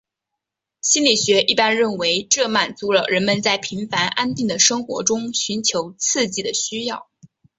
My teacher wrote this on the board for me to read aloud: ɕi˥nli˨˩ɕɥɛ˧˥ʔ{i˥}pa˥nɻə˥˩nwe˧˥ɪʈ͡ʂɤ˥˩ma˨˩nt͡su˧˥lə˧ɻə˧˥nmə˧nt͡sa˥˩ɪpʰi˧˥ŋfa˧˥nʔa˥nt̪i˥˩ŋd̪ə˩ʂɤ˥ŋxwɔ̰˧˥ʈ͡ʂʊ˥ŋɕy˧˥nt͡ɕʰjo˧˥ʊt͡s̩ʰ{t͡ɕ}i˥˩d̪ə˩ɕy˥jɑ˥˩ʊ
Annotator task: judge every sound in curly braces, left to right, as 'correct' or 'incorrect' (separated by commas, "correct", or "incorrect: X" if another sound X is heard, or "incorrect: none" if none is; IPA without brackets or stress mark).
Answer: incorrect: i˥˩, correct